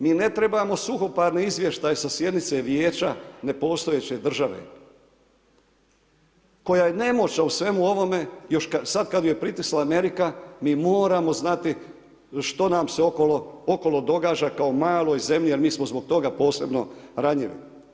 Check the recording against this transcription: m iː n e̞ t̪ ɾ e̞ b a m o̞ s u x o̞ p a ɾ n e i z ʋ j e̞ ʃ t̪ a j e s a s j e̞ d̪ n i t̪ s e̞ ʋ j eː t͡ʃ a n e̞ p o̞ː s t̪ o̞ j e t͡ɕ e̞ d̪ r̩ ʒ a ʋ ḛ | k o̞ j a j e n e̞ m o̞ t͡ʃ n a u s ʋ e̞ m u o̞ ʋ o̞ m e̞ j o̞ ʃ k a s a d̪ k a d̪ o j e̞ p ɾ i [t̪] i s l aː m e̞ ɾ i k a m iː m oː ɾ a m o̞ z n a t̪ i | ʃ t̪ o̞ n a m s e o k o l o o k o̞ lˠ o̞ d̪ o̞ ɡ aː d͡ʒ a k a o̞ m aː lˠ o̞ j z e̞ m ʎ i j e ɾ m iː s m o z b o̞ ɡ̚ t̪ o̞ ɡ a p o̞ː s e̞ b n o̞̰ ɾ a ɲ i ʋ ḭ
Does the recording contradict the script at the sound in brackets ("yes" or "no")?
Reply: no